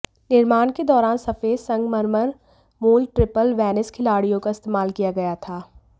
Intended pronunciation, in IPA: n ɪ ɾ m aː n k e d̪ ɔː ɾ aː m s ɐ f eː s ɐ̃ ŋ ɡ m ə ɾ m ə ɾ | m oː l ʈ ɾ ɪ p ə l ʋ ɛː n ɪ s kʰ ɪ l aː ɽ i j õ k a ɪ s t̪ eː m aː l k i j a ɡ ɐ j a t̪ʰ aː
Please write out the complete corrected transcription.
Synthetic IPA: n ɪ ɾ m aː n k e d̪ ɔː ɾ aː n s ɐ f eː s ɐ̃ ŋ ɡ m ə ɾ m ə ɾ | m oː l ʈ ɾ ɪ p ə l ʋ ɛː n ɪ s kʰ ɪ l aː ɽ i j õ k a ɪ s t̪ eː m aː l k i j a ɡ ɐ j a t̪ʰ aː